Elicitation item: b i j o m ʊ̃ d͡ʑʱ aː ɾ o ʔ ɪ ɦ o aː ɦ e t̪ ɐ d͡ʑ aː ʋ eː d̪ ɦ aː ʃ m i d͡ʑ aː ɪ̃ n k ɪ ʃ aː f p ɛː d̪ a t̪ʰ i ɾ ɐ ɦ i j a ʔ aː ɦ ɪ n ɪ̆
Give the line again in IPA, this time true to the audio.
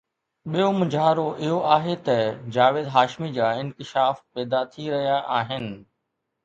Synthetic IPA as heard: ɓ i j o m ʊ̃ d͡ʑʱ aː ɾ o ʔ ɪ ɦ o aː ɦ e t̪ ɐ d͡ʑ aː ʋ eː d̪ ɦ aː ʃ m i d͡ʑ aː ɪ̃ n k ɪ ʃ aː f p ɛː d̪ a t̪ʰ i ɾ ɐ ɦ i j a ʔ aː ɦ ɪ n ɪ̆